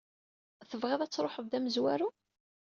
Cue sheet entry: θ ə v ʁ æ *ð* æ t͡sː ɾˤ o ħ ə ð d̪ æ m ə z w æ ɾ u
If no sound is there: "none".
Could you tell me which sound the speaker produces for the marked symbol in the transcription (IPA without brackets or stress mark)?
ð